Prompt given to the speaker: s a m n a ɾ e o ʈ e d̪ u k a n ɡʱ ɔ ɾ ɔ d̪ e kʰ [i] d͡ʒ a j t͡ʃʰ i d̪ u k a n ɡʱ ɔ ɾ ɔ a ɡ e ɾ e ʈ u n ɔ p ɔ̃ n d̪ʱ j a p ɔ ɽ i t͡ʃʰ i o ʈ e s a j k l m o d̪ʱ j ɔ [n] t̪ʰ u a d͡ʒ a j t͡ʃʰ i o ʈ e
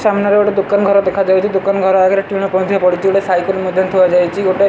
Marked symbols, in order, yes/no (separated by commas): no, yes